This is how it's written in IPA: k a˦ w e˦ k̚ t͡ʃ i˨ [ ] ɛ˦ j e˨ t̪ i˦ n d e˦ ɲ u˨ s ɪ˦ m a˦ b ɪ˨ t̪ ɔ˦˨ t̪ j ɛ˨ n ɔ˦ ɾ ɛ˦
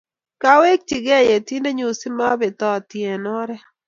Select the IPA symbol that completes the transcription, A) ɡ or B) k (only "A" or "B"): A